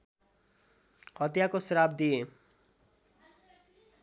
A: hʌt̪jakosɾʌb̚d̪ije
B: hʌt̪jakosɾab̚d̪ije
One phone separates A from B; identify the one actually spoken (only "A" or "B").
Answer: B